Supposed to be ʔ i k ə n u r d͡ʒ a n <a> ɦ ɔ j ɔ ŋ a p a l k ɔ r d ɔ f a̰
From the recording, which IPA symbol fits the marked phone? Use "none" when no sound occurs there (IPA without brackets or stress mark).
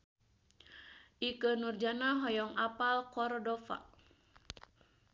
a